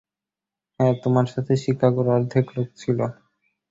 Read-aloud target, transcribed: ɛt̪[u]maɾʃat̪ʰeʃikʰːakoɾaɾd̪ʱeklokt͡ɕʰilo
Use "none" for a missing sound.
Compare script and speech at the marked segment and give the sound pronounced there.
o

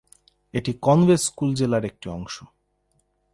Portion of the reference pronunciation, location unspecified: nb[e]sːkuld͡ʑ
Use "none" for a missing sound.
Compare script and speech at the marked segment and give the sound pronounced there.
e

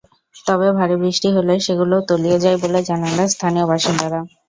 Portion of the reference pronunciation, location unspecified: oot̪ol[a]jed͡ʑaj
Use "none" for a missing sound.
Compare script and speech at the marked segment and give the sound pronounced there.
i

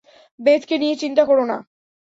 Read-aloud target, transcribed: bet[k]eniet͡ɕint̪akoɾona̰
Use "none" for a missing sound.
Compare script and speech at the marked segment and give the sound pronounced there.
k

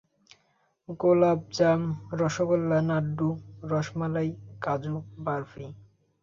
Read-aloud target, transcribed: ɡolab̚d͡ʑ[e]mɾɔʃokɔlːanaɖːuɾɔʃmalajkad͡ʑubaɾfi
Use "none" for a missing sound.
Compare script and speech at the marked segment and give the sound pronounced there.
a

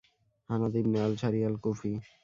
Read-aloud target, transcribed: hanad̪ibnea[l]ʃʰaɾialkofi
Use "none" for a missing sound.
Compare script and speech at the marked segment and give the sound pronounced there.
l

